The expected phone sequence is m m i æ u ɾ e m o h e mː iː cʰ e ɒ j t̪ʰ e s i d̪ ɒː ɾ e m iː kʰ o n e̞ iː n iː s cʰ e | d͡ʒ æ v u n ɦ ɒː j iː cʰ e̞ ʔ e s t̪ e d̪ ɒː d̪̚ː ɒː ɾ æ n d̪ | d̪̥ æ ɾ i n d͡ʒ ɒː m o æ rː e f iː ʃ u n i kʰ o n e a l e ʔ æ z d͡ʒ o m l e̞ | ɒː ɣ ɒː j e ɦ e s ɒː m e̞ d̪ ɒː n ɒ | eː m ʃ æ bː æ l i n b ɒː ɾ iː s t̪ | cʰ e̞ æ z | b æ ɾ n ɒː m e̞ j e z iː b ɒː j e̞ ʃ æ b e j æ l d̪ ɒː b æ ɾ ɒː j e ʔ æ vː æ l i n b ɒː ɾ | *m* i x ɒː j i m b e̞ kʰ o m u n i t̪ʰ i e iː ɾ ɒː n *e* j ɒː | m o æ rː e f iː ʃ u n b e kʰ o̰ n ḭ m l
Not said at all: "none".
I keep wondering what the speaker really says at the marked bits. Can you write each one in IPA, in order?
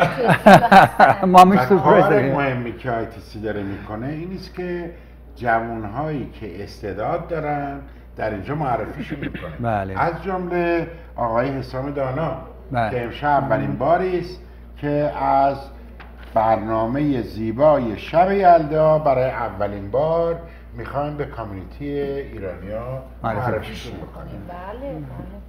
m, i

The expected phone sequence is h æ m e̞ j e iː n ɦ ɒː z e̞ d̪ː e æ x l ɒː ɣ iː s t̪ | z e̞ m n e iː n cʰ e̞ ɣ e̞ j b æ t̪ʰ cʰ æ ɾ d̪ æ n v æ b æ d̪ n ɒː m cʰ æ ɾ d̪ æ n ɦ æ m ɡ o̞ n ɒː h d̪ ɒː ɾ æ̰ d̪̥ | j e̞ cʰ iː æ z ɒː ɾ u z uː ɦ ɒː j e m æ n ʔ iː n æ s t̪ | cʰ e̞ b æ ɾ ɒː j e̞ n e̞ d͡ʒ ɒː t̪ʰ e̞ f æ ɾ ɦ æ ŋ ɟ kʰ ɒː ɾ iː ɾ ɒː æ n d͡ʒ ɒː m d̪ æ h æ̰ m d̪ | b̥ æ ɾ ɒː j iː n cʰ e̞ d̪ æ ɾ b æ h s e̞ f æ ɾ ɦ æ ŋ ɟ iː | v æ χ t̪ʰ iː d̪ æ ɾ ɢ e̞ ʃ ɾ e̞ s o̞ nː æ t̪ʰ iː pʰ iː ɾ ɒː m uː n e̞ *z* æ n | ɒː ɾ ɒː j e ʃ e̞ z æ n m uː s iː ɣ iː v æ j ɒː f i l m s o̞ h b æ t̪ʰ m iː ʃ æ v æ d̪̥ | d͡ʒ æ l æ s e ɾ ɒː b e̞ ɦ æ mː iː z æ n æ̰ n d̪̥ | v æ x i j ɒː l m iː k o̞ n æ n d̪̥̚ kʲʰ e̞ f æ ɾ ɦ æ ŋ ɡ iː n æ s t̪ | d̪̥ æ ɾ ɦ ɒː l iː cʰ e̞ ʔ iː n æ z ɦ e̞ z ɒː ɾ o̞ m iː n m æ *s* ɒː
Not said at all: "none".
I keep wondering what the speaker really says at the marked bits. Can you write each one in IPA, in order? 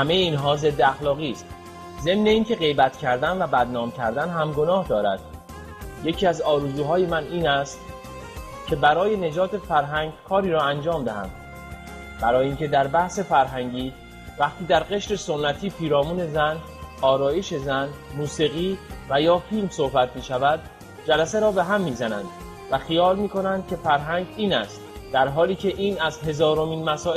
z, s

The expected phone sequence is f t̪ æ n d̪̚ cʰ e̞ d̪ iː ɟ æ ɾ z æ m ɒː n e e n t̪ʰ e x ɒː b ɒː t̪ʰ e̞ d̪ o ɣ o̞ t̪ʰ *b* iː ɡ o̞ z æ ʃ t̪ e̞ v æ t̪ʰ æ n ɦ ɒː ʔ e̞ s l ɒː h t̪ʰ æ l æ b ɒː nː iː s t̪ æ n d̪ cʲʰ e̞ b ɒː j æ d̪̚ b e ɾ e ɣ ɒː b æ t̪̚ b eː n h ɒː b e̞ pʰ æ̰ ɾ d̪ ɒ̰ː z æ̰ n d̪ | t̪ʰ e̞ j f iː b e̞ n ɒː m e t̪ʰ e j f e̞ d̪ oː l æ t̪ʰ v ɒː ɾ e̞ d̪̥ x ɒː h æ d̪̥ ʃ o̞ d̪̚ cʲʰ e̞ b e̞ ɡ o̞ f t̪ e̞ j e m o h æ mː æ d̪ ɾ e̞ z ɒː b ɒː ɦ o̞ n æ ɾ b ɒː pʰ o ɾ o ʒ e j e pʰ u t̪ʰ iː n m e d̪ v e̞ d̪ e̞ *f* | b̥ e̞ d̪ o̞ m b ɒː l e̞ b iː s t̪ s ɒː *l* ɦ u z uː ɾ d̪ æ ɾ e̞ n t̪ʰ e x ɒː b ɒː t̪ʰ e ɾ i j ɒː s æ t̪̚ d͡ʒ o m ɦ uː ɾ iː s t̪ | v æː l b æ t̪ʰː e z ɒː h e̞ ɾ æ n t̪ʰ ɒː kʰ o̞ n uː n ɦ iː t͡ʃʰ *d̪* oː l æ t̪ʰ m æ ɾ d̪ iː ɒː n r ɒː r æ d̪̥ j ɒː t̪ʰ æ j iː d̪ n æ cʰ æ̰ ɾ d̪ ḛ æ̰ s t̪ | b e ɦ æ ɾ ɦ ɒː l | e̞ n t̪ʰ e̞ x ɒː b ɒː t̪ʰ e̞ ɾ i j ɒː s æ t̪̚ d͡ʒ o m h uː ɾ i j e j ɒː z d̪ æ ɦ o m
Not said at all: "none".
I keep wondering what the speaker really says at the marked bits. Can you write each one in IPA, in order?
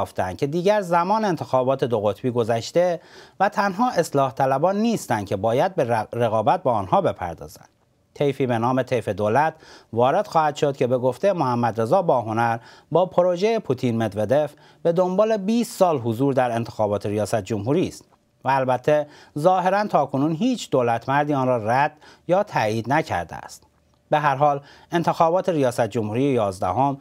b, f, l, d̪

